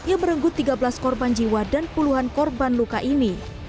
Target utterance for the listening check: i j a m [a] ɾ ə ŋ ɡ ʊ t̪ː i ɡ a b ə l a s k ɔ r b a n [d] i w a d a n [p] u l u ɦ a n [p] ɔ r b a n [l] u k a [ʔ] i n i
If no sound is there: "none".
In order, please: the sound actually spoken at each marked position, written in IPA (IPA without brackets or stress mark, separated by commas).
ə, d͡ʒ, p, k, l, ʔ